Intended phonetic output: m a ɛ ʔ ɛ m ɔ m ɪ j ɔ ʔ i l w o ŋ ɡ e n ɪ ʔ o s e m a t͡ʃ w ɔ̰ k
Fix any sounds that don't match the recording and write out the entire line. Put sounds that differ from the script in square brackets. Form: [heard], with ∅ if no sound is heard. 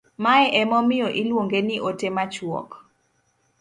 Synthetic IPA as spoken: m a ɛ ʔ ɛ m ɔ m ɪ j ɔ ʔ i l w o ŋ ɡ e n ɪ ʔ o [t] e m a t͡ʃ w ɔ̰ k